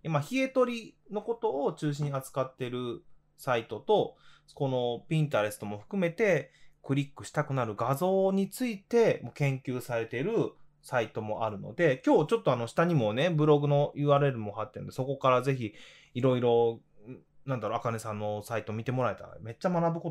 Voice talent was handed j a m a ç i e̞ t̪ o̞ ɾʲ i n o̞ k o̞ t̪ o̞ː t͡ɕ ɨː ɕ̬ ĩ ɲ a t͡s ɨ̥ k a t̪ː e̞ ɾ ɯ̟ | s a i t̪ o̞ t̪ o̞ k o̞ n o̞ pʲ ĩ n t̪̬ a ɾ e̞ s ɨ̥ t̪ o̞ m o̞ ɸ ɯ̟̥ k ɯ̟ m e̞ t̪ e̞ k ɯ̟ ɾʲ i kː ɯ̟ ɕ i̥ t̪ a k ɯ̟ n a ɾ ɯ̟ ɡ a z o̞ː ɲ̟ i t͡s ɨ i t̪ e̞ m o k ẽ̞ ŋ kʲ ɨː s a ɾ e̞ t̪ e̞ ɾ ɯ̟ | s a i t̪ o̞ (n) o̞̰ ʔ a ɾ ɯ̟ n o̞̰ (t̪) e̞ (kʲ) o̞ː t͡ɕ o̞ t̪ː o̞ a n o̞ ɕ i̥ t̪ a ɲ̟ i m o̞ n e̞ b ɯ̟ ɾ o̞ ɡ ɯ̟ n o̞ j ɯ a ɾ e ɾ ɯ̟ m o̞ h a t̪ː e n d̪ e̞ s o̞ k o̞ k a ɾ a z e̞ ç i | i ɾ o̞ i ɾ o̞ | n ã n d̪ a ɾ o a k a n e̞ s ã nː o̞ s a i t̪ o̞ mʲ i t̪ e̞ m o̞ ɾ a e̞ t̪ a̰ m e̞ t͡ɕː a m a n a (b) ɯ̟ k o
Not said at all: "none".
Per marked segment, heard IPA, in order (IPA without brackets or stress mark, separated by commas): m, d̪, kʲ, b